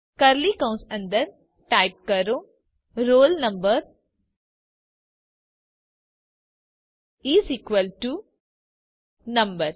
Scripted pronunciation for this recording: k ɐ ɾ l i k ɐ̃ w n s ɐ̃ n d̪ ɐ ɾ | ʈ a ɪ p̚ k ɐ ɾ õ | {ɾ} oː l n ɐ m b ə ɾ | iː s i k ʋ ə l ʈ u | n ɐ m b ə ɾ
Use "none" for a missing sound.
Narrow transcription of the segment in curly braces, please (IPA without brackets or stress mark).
ɾ